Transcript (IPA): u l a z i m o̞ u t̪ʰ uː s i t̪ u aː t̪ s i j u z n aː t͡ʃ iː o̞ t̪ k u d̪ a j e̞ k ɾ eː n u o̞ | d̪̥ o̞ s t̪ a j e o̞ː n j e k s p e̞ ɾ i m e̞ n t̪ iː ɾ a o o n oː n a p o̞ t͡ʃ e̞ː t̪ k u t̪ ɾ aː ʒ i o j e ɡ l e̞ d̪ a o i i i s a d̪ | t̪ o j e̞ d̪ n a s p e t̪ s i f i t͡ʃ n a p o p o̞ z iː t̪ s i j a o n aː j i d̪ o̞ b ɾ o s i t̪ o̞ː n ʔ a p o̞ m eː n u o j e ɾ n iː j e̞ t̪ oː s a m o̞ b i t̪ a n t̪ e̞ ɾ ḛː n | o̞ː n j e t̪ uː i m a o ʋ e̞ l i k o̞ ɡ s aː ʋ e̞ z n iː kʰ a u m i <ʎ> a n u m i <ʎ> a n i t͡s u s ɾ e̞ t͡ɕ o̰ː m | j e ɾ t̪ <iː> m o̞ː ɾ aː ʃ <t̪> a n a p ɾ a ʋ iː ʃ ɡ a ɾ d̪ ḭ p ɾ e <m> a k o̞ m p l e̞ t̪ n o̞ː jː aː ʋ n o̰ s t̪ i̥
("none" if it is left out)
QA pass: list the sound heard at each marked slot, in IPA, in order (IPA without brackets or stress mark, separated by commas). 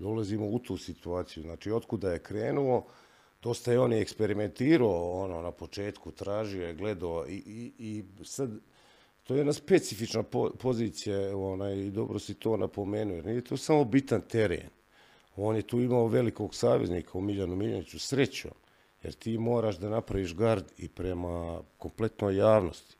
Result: ʎ, ʎ, iː, d̪, m